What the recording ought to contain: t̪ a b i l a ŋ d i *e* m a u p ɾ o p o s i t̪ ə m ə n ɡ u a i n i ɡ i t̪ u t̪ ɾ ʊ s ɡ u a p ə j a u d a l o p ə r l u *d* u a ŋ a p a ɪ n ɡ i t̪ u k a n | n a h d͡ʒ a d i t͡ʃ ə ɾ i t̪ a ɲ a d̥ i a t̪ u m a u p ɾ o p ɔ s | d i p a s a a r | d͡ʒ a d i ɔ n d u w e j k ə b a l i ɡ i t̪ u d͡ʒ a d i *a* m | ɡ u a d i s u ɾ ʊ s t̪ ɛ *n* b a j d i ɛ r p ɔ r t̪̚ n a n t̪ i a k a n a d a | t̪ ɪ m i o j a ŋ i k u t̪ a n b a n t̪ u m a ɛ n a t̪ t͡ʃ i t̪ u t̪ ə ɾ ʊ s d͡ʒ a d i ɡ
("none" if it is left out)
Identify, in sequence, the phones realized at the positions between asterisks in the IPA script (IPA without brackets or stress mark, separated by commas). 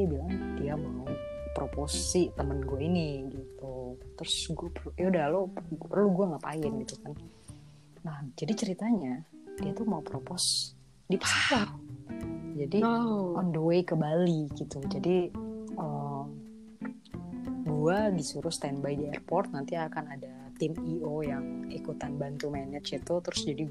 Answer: a, ɡ, ə, n